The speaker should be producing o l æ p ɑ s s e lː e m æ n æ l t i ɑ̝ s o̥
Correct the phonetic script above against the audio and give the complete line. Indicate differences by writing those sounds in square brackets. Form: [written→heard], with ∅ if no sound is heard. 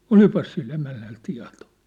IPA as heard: o l [æ→i] p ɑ s s [e→i] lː e m æ [n→nː] æ l t i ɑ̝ [s→t] o̥